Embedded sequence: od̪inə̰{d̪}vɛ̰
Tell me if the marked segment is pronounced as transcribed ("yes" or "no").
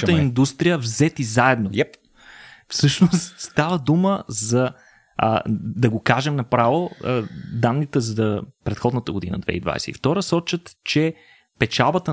yes